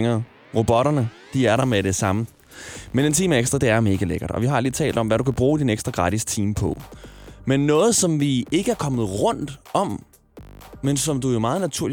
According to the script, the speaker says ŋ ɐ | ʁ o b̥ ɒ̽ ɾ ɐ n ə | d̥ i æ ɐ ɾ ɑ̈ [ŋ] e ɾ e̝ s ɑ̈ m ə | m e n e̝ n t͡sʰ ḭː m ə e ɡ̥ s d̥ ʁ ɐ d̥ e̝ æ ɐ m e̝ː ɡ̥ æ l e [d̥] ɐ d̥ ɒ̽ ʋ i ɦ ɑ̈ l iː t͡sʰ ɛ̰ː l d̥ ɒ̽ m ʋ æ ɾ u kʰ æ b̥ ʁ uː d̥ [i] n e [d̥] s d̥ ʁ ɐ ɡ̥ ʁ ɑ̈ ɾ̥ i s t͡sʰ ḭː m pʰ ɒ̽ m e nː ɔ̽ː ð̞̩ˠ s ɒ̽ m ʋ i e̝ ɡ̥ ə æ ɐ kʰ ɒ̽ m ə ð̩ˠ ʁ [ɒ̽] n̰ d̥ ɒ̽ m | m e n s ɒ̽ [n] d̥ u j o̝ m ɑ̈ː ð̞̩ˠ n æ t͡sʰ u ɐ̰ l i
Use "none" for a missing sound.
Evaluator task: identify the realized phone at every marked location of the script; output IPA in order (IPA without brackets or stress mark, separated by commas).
m, ɡ̥, i, ɡ̥, ɔ̽, m